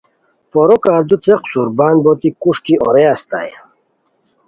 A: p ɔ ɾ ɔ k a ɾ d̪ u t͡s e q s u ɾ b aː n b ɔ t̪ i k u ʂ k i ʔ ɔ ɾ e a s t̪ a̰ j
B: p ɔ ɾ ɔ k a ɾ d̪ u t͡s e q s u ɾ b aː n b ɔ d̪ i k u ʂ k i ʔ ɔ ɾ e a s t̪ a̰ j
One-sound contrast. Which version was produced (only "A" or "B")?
A